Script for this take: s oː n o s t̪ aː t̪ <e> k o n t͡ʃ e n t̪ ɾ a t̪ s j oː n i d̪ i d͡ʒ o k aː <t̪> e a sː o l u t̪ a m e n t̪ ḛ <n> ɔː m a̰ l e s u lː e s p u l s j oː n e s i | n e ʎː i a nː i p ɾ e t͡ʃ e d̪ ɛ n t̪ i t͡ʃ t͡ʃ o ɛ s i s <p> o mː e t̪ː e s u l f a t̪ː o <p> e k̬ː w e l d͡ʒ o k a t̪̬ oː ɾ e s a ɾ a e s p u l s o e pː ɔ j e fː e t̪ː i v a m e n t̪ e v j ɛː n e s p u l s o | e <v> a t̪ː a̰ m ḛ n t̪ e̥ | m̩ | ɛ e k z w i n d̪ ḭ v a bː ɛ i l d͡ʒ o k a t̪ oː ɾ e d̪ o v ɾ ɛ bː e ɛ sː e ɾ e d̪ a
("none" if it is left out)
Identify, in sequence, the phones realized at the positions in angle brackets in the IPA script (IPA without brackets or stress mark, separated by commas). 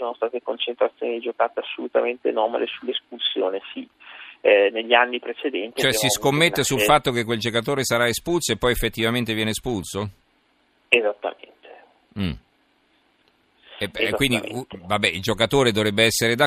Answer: e, t̪, n, k, k, z